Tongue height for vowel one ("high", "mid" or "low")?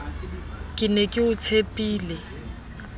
high